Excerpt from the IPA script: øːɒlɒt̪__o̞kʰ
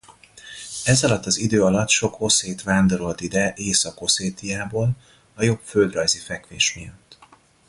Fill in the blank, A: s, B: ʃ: B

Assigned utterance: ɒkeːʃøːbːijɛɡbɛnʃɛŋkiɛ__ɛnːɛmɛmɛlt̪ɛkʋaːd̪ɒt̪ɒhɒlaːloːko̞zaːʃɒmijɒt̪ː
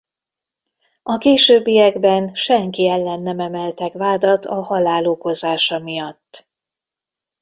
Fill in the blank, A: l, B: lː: B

